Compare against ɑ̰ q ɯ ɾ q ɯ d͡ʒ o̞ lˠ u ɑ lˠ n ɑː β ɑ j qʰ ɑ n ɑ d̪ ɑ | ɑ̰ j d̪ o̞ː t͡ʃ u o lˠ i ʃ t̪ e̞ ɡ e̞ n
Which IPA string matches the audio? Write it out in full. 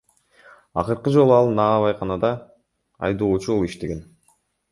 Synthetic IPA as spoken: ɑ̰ q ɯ ɾ q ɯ d͡ʒ o̞ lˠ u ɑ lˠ n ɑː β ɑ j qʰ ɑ n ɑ d̪ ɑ | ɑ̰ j d̪ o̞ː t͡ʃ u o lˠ i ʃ t̪ e̞ ɡ e̞ n